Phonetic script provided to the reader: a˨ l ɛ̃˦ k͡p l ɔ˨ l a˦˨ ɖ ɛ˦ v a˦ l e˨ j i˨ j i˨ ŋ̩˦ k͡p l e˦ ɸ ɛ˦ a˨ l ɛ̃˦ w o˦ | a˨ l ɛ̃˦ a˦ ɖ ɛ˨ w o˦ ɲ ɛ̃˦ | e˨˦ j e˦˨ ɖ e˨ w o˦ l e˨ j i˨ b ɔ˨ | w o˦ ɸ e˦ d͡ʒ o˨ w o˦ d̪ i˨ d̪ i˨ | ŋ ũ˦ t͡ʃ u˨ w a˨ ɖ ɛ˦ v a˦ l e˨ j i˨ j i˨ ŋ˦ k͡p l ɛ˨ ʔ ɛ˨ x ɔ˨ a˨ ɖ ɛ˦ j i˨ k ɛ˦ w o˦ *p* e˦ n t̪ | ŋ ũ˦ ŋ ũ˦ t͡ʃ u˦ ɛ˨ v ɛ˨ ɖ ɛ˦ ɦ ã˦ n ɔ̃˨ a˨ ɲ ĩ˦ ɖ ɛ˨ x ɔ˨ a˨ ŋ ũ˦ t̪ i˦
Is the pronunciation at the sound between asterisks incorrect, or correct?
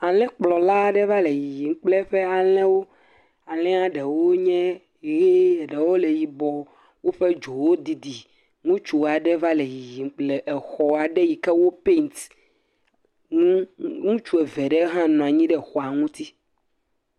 correct